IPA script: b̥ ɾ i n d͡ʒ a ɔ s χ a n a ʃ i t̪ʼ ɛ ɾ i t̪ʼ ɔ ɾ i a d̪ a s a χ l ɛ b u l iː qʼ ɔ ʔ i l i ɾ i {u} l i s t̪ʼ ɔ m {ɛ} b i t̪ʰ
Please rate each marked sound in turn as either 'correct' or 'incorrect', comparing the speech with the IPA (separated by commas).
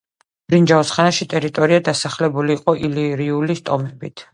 correct, correct